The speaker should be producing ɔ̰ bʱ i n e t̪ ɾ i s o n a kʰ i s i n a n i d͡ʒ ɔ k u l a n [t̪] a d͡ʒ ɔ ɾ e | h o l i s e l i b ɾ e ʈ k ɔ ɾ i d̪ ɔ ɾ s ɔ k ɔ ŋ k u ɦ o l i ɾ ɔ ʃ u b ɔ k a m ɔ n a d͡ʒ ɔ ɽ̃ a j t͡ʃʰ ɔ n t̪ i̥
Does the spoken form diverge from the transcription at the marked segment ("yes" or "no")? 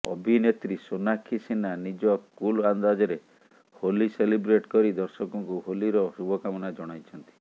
yes